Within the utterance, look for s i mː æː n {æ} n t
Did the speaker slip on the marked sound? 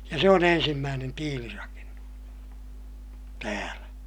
yes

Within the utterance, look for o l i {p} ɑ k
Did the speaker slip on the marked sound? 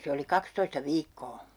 yes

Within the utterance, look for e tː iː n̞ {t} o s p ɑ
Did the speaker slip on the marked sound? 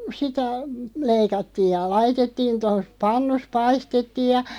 no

